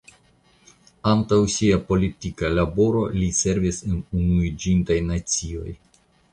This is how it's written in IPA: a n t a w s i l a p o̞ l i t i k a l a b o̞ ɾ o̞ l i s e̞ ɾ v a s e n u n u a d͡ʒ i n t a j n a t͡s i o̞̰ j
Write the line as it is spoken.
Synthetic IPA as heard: a n t a w s i a p o̞ l i t i k a l a b o̞ ɾ o̞ l i s e̞ ɾ v i s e n u n u i d͡ʒ i n t a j n a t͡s i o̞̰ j